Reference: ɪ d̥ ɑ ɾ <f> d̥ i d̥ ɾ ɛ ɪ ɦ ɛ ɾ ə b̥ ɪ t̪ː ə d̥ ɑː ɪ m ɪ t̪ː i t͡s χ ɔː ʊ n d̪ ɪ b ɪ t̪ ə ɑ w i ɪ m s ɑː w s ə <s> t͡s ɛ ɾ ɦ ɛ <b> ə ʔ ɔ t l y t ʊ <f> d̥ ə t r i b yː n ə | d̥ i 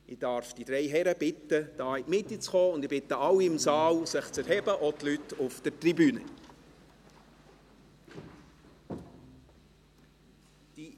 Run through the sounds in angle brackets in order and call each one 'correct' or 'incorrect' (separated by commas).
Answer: correct, incorrect, correct, correct